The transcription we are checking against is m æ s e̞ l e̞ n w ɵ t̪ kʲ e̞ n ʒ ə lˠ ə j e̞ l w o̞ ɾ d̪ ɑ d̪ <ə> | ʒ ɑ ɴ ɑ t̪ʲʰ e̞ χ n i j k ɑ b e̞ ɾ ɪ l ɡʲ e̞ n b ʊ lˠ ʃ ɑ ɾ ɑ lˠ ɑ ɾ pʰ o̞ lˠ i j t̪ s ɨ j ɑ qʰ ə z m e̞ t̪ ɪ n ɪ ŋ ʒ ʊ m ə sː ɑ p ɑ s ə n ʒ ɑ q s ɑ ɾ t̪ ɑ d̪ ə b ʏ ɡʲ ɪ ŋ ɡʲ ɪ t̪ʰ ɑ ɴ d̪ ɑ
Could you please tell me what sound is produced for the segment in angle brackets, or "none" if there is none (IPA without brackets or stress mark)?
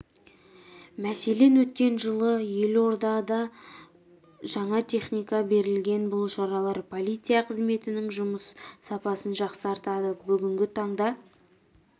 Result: ɑ